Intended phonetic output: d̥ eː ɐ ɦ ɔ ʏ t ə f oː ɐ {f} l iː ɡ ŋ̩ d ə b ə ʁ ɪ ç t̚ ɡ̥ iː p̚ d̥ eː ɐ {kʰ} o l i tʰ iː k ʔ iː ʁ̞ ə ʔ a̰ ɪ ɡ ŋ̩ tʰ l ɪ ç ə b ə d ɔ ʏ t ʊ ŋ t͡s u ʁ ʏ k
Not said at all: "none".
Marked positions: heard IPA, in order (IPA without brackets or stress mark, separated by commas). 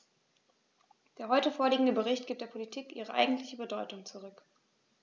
none, pʰ